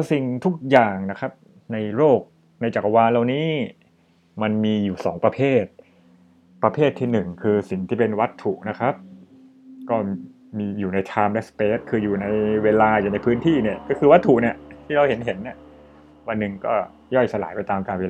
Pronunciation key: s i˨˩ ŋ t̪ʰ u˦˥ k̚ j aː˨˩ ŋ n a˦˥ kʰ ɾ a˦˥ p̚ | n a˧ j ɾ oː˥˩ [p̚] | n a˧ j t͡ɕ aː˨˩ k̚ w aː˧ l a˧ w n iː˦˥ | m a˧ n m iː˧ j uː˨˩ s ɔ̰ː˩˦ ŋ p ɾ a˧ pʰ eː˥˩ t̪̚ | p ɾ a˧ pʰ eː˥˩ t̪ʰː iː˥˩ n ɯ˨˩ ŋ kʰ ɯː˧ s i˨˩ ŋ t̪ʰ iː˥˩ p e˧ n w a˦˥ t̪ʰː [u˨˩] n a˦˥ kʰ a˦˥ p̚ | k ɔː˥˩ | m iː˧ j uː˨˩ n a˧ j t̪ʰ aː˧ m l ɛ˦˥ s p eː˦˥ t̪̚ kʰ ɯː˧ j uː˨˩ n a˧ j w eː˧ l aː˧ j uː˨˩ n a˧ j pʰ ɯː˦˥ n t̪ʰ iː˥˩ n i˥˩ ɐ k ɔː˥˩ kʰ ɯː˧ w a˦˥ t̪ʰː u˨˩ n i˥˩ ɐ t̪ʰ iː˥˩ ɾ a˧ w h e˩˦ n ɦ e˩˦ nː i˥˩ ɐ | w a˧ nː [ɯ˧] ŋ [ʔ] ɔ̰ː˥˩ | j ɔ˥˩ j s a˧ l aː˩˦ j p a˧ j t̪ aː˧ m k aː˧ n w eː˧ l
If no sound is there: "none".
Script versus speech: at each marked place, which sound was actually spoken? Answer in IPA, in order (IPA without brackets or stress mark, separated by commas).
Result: k̚, u˨˩, ɯ˨˩, k